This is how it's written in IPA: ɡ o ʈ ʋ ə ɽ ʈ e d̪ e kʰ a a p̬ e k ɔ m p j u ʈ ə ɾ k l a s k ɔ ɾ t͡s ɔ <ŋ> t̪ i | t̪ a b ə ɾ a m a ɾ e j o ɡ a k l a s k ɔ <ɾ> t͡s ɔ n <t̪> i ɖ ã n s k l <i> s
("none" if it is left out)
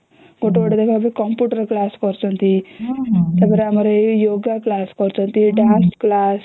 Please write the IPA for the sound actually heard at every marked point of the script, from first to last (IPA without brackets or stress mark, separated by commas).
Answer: n, ɾ, t̪, a